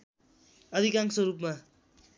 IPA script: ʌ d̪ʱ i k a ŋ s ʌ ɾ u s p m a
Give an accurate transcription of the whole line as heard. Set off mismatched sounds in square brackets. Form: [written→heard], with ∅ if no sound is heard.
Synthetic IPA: ʌ d̪ʱ i k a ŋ s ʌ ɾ u [s→∅] p m a